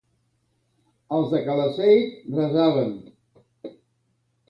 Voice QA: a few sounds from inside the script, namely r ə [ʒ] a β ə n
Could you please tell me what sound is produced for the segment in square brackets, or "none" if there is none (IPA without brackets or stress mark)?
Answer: z